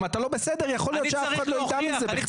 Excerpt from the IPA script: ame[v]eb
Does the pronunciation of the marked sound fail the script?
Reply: yes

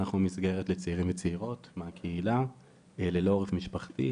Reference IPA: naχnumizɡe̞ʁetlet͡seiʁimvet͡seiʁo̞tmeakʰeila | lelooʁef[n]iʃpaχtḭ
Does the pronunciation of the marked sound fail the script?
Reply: yes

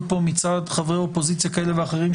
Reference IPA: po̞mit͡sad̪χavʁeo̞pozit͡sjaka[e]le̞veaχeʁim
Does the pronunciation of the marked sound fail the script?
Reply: no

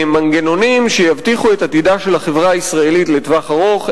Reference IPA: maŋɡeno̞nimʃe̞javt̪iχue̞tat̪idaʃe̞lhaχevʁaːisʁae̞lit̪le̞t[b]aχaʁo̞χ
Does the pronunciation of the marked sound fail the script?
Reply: yes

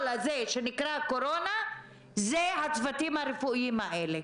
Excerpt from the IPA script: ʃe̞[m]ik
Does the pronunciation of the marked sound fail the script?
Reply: yes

